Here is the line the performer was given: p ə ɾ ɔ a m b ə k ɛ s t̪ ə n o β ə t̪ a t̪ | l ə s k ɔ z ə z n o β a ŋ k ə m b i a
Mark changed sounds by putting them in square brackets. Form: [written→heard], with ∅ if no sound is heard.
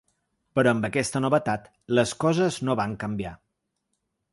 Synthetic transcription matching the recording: p ə ɾ ɔ [a→ə] m b ə k ɛ s t̪ ə n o β ə t̪ a t̪ | l ə s k ɔ z ə z n o β a ŋ k ə m b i a